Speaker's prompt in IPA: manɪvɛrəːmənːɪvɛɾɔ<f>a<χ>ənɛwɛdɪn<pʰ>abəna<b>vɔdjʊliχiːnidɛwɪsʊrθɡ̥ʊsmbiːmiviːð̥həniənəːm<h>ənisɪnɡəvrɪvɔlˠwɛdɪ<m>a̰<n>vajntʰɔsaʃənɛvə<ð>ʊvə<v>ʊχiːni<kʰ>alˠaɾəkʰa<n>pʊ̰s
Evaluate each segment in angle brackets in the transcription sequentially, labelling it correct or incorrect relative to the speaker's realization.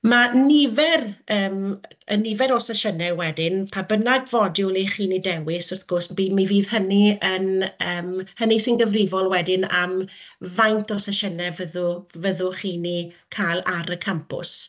incorrect: s, incorrect: ʃ, correct, incorrect: ɡ, correct, incorrect: n, incorrect: m, correct, incorrect: ð, correct, incorrect: m

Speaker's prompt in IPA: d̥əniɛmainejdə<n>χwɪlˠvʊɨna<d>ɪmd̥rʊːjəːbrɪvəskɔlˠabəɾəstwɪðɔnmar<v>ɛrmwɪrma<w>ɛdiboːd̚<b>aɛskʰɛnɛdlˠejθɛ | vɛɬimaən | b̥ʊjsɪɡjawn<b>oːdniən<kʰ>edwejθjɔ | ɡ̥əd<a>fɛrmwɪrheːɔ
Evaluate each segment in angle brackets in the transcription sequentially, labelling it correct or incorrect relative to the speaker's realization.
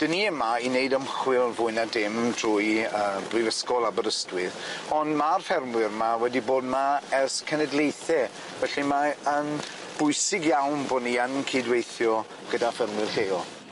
incorrect: m, correct, incorrect: f, correct, incorrect: m, correct, correct, correct

